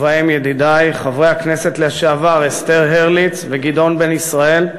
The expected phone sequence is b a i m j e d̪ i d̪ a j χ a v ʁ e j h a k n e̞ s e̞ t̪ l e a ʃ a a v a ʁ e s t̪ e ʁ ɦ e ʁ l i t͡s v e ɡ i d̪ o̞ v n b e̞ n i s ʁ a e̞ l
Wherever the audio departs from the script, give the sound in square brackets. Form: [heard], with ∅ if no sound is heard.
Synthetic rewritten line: [v] a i m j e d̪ i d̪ a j χ a v ʁ e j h a k n e̞ s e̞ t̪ l e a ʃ [e] a v a ʁ e s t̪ e ʁ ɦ e ʁ l i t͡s v e ɡ i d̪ o̞ [∅] n b e̞ n i s ʁ a e̞ l